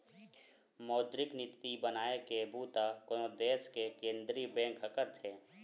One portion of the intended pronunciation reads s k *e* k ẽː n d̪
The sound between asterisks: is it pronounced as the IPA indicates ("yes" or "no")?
yes